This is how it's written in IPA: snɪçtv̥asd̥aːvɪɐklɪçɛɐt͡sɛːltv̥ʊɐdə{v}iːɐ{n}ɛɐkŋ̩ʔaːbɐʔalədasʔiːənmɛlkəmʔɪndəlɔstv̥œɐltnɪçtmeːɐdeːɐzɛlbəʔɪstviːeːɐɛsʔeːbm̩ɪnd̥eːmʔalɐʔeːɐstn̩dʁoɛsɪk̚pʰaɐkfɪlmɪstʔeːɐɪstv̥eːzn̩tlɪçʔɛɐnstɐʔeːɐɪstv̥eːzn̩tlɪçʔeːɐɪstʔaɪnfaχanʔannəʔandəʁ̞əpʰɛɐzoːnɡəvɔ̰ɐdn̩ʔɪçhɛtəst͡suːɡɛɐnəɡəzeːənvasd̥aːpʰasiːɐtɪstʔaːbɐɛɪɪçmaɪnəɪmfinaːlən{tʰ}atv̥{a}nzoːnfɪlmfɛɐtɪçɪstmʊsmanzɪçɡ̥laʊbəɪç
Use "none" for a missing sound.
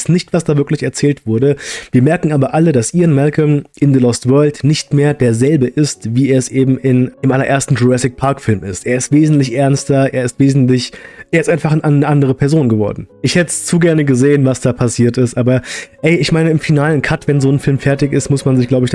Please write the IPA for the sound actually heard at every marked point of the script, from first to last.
v, m, kʰ, ɛ

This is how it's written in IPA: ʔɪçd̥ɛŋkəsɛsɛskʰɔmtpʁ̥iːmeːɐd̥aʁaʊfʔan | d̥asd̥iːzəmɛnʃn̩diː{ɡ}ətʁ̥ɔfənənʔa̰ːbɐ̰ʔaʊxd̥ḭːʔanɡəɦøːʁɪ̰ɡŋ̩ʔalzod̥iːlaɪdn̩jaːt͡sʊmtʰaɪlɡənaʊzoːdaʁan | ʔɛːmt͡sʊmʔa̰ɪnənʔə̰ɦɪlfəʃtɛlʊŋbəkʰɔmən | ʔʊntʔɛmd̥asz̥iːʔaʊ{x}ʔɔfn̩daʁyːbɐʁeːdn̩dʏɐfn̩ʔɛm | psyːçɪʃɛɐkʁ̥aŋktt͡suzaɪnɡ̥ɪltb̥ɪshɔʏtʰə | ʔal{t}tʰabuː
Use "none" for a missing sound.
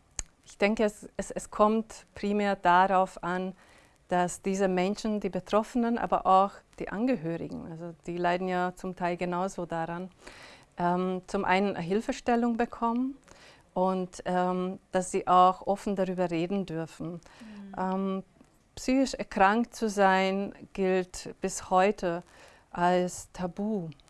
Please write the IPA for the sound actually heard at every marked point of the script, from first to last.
b, x, s

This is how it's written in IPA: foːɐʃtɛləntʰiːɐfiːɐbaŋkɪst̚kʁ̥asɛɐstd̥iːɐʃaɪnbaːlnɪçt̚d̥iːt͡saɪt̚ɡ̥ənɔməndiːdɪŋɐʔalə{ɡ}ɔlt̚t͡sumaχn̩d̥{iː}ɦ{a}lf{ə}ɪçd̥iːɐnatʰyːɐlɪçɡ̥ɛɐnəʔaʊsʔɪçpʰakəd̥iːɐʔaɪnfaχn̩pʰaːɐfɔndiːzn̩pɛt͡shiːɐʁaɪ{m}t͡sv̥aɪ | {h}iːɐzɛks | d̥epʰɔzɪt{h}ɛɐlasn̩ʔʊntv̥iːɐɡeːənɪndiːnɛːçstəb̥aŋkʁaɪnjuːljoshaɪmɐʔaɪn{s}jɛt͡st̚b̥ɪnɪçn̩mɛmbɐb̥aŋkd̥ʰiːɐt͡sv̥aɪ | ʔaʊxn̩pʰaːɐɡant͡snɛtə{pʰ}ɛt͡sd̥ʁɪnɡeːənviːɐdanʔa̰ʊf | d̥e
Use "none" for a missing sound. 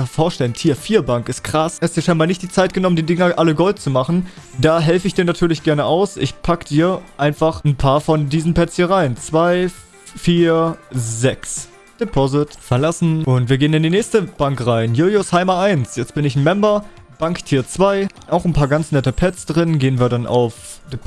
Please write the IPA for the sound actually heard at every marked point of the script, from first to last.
ɡ, aː, ɛ, ə, n, f, f, s, pʰ

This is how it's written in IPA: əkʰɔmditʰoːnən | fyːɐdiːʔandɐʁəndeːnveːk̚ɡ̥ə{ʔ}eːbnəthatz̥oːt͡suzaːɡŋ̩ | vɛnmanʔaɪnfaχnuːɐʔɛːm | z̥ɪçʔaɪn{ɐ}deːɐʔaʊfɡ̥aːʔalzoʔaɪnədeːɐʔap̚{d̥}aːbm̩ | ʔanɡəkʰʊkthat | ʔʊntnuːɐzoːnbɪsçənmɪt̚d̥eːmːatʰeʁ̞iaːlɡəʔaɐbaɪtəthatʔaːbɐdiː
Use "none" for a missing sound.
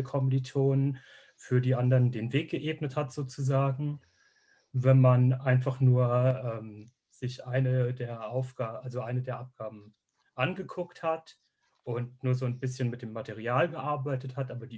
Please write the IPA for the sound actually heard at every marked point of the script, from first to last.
ʔ, ə, ɡ̥

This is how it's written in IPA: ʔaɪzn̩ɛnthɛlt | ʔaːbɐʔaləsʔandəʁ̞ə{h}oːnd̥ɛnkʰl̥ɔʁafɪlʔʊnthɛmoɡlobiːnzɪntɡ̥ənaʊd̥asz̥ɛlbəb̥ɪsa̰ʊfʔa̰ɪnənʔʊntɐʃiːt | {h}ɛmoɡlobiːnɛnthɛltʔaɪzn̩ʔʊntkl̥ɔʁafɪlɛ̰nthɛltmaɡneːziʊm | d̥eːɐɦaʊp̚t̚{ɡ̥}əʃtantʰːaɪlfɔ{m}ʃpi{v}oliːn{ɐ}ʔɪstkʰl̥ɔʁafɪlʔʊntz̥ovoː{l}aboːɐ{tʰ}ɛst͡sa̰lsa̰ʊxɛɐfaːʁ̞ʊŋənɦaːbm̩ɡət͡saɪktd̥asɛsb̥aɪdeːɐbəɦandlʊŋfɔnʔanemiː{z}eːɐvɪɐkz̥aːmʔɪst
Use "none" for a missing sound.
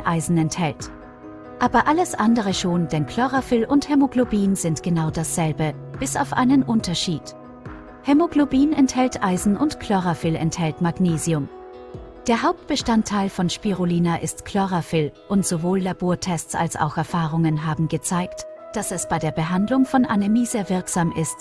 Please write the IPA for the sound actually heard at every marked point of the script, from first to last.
ʃ, h, b̥, n, ʁ, a, lː, tʰ, z

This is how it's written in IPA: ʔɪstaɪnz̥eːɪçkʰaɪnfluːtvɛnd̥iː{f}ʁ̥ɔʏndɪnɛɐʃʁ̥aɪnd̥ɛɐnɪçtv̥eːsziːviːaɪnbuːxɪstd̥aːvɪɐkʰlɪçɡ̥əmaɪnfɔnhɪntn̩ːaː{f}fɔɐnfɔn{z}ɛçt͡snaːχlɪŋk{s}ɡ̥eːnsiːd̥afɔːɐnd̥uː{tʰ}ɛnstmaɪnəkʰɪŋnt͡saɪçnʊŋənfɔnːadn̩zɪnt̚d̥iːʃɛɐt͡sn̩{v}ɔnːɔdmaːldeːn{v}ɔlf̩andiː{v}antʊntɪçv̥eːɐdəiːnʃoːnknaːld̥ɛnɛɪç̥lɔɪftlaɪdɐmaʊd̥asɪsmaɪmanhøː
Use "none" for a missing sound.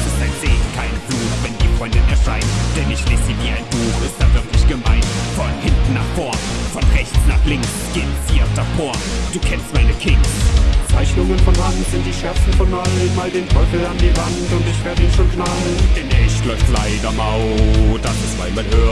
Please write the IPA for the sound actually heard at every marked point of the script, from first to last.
f, χ, ʁ, s, kʰ, f, f, v

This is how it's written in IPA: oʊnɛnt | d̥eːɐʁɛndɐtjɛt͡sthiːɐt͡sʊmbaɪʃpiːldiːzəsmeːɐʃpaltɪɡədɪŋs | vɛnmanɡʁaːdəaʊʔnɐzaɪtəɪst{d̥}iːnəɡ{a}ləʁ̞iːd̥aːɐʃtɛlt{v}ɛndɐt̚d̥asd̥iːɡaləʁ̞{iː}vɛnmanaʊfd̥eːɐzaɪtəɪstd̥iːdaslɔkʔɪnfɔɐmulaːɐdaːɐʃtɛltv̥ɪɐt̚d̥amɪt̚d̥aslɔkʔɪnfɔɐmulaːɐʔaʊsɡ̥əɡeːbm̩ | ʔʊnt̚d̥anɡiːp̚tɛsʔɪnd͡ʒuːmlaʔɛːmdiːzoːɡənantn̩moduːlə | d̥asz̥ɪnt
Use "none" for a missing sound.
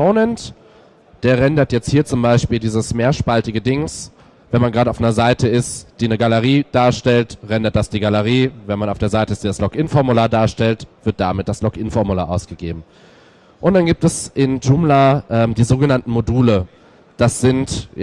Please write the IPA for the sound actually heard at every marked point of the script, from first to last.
d̥, a, ʁ, iː

